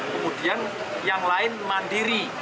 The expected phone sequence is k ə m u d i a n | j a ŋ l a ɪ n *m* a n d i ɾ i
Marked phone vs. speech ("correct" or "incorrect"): correct